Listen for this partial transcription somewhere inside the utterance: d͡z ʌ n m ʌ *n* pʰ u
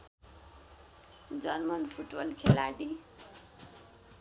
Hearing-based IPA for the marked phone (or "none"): n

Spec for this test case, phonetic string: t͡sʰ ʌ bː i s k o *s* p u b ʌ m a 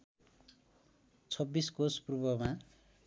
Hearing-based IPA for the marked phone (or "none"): s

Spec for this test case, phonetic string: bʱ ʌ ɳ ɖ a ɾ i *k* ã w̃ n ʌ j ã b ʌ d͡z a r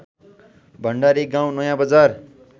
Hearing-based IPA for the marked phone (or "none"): ɡ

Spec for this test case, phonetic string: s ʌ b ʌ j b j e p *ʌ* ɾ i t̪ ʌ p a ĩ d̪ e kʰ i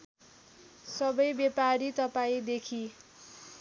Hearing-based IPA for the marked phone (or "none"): a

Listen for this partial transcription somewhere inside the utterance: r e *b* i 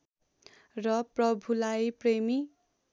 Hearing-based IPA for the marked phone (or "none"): m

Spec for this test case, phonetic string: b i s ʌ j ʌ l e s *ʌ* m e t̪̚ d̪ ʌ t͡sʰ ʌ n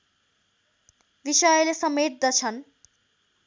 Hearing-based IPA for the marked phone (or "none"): ʌ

